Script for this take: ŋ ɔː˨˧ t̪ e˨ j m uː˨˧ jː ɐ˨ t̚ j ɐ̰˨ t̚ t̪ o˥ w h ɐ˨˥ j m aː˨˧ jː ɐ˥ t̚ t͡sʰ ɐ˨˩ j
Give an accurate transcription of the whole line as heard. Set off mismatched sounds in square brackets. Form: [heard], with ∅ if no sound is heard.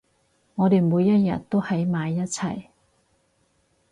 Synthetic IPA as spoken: ŋ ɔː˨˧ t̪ e˨ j m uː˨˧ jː [ɐ˥] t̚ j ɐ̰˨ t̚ t̪ o˥ w h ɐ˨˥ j m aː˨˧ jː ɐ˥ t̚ t͡sʰ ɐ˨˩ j